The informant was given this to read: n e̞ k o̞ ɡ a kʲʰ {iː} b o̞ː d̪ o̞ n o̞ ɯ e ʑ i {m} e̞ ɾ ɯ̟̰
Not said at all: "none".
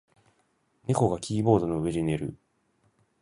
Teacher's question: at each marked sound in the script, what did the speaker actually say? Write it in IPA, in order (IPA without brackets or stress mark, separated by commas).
iː, n